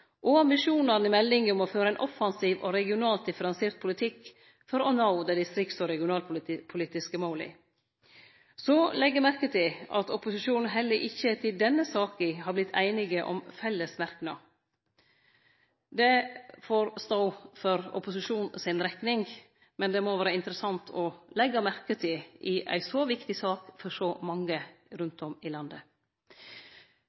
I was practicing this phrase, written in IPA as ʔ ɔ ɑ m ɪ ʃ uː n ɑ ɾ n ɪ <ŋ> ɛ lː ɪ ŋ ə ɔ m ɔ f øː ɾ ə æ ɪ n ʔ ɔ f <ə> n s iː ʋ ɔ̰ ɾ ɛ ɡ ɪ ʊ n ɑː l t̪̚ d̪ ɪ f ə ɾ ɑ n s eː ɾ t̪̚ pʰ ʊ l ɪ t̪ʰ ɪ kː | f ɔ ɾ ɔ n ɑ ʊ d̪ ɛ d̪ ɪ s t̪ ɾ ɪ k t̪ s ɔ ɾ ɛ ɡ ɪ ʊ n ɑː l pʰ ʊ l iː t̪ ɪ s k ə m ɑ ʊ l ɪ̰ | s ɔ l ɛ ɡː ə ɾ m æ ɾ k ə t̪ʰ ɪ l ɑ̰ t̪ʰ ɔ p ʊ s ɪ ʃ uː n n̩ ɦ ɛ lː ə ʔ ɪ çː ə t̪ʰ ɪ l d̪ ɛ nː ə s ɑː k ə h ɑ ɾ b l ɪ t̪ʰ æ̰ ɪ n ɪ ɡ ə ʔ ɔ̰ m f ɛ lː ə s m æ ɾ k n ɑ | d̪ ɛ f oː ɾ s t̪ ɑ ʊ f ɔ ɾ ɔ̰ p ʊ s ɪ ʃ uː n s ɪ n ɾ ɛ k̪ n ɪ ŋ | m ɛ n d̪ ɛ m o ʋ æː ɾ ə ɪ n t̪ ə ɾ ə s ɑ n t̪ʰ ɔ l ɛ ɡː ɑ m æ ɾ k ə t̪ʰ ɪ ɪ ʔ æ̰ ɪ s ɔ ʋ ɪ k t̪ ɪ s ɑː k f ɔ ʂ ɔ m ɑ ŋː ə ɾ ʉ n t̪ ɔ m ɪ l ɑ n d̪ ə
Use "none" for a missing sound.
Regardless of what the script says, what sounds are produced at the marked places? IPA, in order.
m, ɑ

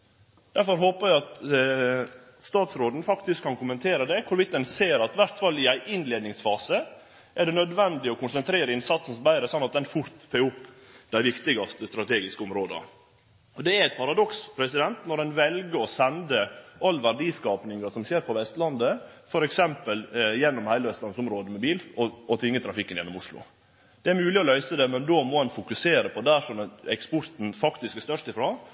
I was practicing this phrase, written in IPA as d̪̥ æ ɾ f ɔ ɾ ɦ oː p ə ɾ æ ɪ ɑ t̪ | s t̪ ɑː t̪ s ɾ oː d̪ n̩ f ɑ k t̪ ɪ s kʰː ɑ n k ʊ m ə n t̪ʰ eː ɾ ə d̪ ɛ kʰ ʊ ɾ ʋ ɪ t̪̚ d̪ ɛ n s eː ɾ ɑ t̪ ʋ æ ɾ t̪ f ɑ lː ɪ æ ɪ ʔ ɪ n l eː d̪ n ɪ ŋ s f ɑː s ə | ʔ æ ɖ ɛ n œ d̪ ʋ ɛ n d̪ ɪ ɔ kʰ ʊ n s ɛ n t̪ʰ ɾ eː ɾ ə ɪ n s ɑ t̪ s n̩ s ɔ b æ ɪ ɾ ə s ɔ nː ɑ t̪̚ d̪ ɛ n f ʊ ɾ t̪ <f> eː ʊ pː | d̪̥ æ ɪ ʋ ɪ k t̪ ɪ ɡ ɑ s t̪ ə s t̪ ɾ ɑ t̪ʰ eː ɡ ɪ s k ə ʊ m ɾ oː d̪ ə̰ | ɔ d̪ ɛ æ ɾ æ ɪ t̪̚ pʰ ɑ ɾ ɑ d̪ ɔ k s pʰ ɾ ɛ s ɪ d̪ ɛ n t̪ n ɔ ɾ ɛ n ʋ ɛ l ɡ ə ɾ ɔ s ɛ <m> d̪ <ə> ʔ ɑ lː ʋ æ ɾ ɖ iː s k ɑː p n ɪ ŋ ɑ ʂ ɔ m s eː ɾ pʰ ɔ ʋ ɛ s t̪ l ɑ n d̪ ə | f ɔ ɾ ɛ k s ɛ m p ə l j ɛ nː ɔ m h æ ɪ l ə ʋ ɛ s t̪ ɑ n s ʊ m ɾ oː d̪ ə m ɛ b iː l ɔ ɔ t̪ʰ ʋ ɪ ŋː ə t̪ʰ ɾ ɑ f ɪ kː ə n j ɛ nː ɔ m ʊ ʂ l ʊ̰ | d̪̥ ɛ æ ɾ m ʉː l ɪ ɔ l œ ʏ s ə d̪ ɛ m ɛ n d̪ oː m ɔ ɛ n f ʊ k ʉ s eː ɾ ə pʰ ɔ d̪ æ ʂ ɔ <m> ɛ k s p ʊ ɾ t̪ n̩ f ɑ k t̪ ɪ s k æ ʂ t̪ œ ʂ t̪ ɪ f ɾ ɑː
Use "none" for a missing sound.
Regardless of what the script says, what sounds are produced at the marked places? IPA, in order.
f, n, ə, m

